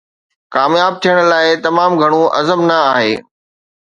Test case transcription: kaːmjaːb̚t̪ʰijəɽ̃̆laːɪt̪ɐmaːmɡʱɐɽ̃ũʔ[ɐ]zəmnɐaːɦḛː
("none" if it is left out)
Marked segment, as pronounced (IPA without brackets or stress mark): ɐ